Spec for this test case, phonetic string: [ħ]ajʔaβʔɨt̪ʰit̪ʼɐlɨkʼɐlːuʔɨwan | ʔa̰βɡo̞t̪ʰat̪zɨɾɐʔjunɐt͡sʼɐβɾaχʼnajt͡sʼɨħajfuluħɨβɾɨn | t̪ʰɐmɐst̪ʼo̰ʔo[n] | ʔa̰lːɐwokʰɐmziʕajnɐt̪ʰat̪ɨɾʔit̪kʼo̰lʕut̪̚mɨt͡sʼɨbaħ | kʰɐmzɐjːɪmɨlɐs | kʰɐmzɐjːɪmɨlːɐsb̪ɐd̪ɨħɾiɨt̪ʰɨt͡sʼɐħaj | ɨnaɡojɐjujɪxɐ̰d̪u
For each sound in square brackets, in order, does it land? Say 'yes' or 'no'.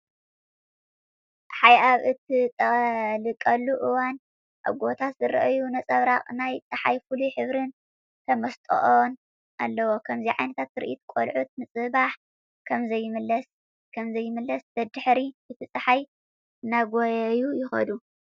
yes, yes

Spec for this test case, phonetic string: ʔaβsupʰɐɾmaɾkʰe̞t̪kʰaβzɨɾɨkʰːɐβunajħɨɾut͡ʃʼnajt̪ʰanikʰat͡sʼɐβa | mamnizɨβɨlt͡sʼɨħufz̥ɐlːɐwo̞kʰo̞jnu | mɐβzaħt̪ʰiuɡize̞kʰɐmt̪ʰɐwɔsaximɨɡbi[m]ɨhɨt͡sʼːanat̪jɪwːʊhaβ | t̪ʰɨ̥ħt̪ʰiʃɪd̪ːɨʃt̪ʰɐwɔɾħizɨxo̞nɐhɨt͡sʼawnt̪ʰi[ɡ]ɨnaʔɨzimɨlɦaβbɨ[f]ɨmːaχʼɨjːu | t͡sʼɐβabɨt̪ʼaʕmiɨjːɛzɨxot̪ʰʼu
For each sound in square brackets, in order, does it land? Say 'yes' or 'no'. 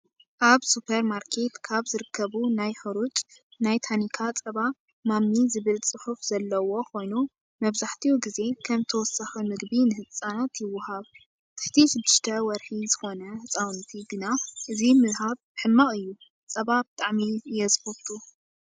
no, yes, no

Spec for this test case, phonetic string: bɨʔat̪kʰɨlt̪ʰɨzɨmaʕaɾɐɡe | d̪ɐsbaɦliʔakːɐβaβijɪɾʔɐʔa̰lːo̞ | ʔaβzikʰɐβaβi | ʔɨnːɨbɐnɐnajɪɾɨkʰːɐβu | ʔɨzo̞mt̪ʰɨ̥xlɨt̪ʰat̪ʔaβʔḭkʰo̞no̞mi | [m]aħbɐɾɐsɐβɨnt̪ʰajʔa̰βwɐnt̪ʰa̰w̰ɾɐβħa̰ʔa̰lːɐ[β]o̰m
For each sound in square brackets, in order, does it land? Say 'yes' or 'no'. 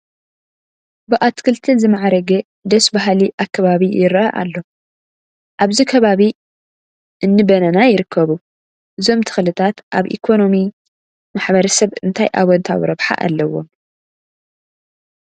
yes, no

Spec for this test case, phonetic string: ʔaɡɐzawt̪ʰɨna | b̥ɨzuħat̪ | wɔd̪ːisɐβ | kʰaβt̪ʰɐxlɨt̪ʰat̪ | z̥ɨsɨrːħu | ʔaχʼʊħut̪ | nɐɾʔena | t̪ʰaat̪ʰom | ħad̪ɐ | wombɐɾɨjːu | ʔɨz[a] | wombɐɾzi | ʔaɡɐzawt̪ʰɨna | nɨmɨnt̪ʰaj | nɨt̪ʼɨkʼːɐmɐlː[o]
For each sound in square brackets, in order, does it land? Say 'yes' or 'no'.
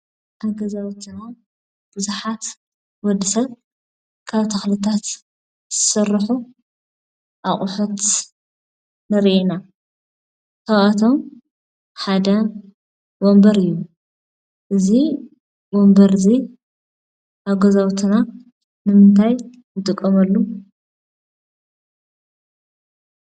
no, no

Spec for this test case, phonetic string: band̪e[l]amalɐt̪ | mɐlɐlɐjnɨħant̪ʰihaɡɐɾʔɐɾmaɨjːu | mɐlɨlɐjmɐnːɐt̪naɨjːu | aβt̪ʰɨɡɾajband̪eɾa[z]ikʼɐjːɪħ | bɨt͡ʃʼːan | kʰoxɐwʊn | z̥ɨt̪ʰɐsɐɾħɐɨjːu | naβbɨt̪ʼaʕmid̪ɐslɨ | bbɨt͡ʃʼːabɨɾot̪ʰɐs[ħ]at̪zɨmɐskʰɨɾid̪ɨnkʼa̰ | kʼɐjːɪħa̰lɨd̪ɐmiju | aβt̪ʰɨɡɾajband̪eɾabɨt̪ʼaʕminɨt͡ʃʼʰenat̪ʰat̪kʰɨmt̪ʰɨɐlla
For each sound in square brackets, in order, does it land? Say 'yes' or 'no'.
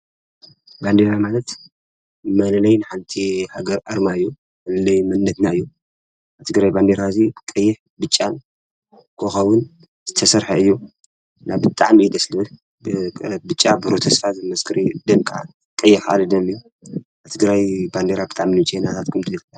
no, yes, no

